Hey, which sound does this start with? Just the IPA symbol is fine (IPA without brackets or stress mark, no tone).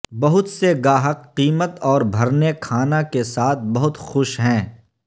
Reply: b